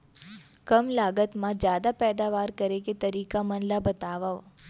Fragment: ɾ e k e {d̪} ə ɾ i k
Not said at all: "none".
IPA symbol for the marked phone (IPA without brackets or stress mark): t̪